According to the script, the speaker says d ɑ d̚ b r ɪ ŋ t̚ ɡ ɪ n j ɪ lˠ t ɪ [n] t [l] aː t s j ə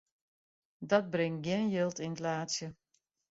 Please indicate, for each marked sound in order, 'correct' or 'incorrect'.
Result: correct, correct

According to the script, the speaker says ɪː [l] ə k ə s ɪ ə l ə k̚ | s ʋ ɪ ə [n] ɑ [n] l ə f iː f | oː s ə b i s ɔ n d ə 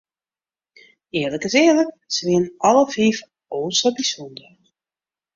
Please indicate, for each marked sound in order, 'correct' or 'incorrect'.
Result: correct, correct, incorrect

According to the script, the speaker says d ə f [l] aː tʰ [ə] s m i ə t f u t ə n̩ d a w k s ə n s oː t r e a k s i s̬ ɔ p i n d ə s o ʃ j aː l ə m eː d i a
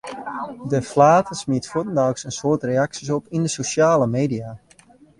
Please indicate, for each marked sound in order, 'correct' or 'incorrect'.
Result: correct, correct

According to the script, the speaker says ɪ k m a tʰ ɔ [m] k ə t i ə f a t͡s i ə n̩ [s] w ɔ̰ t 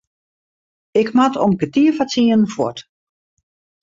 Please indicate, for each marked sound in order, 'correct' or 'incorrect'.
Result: correct, incorrect

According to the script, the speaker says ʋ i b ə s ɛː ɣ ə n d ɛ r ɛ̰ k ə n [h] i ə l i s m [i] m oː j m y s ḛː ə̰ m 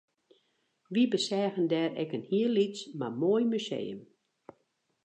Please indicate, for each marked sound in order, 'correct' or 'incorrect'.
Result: correct, incorrect

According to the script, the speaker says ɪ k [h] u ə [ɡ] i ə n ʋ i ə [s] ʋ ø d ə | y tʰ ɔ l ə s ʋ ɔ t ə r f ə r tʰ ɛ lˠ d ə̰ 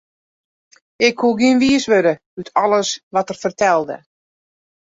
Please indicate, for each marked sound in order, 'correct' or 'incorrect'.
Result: correct, correct, correct

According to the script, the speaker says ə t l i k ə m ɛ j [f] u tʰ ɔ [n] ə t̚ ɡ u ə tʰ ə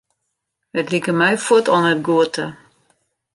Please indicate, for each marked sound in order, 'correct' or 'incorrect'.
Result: correct, correct

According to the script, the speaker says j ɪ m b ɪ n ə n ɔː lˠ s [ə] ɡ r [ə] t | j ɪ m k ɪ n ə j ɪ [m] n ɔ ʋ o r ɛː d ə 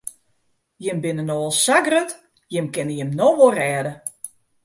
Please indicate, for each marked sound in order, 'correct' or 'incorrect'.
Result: incorrect, correct, correct

